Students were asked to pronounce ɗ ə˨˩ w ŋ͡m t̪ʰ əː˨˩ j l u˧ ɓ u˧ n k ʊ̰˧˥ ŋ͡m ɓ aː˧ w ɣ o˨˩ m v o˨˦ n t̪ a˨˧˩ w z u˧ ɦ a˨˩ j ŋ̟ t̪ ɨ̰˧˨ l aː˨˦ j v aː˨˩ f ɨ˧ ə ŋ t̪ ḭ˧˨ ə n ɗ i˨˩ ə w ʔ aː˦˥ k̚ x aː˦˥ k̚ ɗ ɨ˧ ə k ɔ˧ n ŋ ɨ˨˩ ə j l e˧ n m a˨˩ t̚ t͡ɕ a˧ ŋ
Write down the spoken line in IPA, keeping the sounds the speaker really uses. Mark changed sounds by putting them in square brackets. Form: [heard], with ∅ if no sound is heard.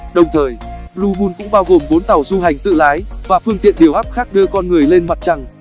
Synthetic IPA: ɗ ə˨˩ w ŋ͡m t̪ʰ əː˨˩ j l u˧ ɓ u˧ n k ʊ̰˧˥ ŋ͡m ɓ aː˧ w ɣ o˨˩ m v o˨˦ n t̪ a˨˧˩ w z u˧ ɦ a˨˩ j ŋ̟ t̪ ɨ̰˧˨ l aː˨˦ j v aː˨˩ f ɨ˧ ə ŋ t̪ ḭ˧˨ ə n ɗ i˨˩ ə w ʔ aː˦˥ [p̚] x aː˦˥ k̚ ɗ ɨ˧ ə k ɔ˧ n ŋ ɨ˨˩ ə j l e˧ n m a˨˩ t̚ t͡ɕ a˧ ŋ

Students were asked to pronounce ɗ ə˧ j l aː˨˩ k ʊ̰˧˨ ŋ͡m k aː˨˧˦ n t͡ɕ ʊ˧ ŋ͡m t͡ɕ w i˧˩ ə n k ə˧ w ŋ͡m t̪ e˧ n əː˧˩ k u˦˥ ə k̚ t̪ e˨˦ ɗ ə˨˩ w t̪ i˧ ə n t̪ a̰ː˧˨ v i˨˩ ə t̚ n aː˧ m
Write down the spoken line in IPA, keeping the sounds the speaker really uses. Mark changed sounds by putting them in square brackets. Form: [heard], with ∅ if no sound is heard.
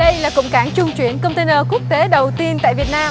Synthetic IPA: ɗ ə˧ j l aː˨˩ k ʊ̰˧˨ ŋ͡m k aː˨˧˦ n t͡ɕ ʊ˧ ŋ͡m t͡ɕ w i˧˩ ə n k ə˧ w ŋ͡m t̪ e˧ n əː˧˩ k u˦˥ ə k̚ t̪ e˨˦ ɗ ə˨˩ w t̪ i˧ ə n t̪ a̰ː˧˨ v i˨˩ ə t̚ n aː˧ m

